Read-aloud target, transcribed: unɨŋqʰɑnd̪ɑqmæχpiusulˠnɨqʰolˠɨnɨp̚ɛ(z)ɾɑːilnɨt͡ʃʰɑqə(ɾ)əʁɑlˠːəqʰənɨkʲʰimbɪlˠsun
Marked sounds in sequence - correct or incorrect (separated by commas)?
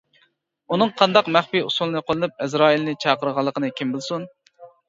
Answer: correct, correct